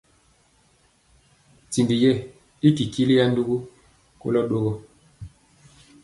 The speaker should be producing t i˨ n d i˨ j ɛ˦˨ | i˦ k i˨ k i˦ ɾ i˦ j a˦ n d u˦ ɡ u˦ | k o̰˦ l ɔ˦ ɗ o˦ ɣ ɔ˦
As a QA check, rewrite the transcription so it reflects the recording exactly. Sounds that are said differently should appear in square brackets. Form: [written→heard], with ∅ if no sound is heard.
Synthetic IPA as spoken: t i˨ n d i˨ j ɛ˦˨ | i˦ k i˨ k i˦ [ɾ→l] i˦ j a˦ n d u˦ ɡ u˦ | k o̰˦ l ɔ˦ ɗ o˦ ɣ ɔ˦